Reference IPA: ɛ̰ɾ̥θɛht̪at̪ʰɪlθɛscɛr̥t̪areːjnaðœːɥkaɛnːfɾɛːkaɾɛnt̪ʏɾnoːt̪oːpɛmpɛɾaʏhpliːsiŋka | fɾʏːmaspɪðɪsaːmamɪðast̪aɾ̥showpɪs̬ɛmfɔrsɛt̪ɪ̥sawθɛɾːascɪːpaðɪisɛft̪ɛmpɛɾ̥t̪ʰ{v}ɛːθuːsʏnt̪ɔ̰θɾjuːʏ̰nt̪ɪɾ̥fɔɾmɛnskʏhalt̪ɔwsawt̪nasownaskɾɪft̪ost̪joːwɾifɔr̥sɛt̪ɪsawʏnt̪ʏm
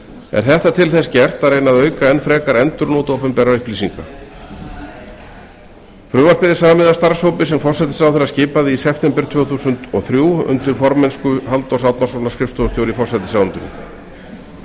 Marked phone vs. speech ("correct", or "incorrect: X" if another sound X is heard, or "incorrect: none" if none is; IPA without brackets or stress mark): correct